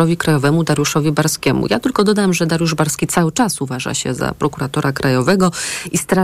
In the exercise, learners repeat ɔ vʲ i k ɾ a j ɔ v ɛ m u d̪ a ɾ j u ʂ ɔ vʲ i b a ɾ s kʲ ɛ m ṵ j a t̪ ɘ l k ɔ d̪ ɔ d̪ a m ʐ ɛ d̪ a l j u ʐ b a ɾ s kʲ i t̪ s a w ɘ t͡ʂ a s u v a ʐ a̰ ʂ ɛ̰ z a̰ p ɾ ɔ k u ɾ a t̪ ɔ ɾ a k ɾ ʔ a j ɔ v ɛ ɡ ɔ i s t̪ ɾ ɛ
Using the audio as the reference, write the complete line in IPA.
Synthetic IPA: ɔ vʲ i k ɾ a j ɔ v ɛ m u d̪ a ɾ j u ʂ ɔ vʲ i b a ɾ s kʲ ɛ m ṵ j a t̪ ɘ l k ɔ d̪ ɔ d̪ a m ʐ ɛ d̪ a ɾ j u ʐ b a ɾ s kʲ i t̪ s a w ɘ t͡ʂ a s u v a ʐ a̰ ɕ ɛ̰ z a̰ p ɾ ɔ k u ɾ a t̪ ɔ ɾ a k ɾ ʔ a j ɔ v ɛ ɡ ɔ i s t̪ ɾ a